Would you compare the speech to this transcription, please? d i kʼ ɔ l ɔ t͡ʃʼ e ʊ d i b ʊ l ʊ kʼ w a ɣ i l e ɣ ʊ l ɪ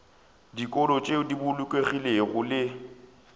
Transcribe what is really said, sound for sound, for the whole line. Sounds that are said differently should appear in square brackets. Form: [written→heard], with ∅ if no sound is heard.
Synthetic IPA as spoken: d i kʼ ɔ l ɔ t͡ʃʼ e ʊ d i b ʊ l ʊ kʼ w [a→e] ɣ i l e ɣ ʊ l ɪ